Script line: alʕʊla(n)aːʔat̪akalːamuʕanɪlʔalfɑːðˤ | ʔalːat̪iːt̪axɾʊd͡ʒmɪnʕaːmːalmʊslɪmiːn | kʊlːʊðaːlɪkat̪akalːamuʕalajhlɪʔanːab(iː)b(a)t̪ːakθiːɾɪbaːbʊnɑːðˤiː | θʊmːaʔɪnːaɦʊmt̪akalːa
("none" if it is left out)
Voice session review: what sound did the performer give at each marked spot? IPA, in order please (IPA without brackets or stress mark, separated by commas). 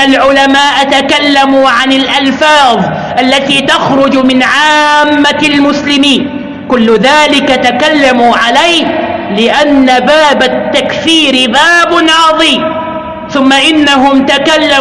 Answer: m, aː, a